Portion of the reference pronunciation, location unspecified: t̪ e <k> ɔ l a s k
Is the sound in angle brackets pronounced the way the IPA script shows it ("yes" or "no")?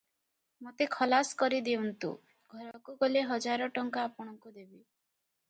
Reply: no